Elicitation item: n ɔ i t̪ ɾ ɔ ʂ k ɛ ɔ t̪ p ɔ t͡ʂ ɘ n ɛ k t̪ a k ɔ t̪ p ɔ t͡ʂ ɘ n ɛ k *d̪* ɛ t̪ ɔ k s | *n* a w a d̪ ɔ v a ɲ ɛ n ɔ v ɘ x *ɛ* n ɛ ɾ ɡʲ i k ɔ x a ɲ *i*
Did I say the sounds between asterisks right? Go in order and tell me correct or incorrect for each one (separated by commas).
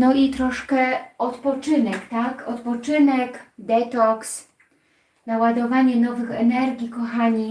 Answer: correct, correct, correct, correct